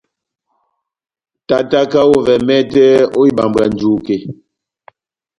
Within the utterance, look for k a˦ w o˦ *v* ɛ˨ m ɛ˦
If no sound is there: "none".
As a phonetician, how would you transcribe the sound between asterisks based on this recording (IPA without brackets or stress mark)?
v